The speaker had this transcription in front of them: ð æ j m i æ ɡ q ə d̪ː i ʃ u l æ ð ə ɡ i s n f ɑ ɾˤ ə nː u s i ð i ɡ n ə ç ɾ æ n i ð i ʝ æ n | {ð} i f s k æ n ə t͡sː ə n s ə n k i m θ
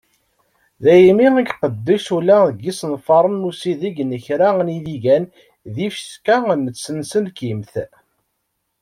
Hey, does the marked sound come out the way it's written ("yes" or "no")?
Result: yes